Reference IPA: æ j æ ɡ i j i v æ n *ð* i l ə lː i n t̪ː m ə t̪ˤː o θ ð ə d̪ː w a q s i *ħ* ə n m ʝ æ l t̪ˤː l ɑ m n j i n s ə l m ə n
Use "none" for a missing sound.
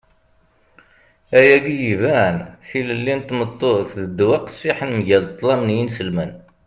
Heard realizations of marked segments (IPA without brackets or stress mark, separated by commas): θ, ħ